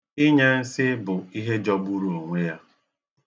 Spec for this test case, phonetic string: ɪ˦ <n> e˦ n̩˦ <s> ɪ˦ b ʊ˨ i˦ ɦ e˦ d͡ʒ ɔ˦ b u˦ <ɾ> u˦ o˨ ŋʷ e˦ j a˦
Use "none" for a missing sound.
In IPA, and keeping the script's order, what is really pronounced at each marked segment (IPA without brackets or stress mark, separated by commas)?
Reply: ɲ, s, ɾ